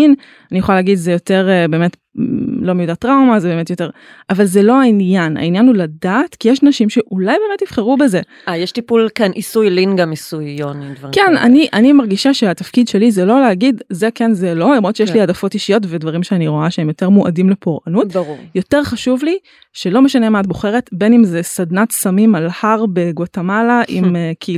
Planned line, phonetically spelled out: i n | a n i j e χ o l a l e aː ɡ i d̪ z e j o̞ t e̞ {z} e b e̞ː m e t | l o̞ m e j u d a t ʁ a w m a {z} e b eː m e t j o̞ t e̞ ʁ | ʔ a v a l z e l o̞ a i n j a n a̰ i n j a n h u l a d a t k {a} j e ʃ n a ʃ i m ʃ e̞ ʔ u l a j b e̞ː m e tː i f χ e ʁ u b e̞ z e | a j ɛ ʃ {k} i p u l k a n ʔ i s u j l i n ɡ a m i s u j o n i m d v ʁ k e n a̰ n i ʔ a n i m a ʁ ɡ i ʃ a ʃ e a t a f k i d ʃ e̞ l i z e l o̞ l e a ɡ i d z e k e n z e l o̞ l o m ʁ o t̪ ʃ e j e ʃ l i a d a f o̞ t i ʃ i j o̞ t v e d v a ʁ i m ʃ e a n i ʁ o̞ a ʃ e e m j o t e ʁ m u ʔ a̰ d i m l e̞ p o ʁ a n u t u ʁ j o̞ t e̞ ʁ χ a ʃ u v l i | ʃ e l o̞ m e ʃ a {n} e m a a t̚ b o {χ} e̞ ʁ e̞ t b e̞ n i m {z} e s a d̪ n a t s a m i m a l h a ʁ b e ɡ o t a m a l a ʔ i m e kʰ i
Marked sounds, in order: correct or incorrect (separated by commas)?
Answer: incorrect, correct, incorrect, incorrect, correct, correct, correct